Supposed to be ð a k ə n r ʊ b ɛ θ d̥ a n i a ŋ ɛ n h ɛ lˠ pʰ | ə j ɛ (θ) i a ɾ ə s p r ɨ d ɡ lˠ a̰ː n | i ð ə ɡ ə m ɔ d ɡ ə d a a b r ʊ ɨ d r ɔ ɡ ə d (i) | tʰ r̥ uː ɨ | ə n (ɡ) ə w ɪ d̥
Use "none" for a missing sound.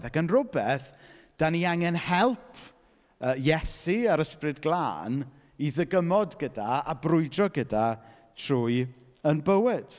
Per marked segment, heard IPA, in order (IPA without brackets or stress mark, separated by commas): s, a, b